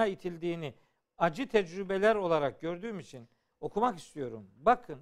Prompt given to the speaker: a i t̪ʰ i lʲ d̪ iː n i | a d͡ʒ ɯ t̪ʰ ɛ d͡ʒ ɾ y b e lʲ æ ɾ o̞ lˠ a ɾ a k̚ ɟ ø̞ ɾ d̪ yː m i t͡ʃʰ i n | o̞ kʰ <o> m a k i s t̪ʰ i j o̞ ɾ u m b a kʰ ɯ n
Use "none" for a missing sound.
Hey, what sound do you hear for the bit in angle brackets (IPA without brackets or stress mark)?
u